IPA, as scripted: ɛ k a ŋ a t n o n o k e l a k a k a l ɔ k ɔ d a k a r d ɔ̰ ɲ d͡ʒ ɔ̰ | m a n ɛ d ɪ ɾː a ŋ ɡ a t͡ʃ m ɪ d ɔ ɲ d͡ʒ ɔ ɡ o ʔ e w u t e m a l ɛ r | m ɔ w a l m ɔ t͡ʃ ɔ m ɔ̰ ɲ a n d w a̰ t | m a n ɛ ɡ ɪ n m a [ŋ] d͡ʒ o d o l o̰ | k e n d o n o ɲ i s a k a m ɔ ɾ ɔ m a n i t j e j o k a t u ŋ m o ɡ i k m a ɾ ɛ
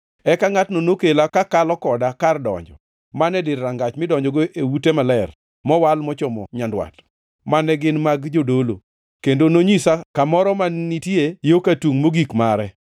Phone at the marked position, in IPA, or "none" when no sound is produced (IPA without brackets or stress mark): ɡ